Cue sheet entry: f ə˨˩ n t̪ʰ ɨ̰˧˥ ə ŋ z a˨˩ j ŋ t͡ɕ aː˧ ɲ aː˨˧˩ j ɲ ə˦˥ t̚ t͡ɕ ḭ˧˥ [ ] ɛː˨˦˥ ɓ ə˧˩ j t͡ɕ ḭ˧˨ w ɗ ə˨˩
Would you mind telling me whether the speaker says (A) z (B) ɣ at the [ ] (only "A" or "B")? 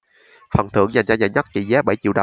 A